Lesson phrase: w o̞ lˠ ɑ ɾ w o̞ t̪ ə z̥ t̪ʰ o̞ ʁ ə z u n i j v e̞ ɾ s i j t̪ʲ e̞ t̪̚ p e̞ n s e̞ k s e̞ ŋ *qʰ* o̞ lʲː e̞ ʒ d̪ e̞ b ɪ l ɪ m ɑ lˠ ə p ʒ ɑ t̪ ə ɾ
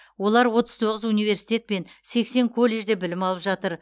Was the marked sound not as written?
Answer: yes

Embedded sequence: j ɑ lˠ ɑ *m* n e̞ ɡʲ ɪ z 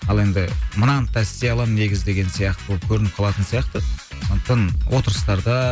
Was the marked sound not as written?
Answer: no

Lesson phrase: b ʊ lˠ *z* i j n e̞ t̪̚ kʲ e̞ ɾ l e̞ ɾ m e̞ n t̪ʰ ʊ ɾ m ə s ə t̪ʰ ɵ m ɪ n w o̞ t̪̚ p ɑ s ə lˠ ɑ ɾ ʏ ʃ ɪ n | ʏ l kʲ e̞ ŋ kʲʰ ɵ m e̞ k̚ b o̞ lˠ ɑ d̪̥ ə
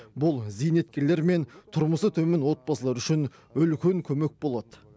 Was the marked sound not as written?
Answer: no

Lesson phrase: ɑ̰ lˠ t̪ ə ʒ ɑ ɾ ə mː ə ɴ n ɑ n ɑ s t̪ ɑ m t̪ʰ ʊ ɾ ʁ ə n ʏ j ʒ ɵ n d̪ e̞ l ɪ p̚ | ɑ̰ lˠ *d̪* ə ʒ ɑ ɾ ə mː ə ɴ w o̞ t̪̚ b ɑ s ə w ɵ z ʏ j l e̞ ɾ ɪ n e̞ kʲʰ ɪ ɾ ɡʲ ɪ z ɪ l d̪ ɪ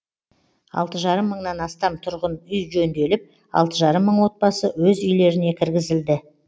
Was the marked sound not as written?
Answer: yes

